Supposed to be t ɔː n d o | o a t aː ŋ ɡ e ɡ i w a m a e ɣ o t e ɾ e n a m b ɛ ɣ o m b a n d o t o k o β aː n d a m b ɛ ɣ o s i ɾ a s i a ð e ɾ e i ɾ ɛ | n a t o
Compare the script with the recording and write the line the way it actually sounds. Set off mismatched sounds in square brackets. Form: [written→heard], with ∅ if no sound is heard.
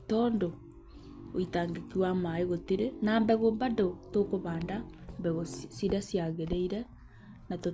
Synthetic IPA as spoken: t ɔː n d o | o [a→i] t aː ŋ ɡ e [ɡ→k] i w a m a e ɣ o t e ɾ e n a m b ɛ ɣ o m b a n d o t o k o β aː n d a m b ɛ ɣ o s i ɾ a s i a [ð→ɣ] e ɾ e i ɾ ɛ | n a t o